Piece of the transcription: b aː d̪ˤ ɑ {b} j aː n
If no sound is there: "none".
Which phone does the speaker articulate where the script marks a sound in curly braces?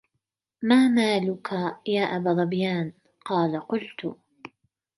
b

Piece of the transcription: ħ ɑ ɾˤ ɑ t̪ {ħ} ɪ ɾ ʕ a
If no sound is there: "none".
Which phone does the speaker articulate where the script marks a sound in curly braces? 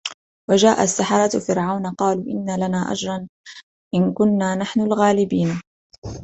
f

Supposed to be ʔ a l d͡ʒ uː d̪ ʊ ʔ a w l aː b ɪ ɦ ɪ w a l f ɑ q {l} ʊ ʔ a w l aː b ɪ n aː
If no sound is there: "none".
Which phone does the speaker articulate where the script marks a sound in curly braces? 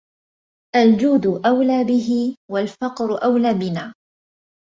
ɾ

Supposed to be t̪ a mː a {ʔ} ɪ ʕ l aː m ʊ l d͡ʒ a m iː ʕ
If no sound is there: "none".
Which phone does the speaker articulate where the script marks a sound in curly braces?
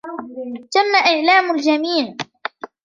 ʔ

